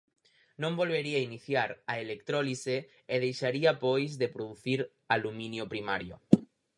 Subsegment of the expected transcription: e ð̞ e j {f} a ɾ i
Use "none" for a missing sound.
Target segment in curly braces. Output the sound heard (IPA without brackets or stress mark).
ʃ